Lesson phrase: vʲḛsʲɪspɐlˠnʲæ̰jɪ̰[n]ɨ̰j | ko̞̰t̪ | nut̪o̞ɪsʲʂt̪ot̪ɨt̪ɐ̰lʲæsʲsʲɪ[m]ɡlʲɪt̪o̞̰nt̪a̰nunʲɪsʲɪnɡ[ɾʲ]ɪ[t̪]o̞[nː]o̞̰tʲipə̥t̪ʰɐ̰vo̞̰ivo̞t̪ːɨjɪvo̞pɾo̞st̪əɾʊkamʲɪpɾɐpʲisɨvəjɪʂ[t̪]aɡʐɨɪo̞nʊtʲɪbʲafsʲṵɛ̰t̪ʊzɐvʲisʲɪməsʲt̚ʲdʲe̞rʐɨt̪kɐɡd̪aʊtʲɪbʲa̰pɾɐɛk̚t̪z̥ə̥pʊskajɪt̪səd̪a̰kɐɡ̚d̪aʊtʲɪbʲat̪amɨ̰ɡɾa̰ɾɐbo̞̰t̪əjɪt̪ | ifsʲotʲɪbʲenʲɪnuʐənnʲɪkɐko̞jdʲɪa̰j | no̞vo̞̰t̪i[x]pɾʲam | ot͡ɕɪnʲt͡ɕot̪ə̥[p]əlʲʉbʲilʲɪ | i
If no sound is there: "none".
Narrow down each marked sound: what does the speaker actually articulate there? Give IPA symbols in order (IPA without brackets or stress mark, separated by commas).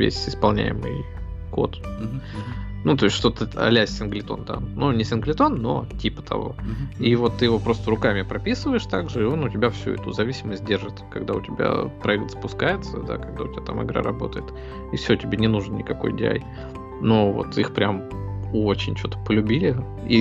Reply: m, n, lʲ, t̪, nː, t̪, x, p